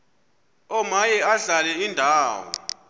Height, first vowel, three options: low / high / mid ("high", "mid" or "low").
mid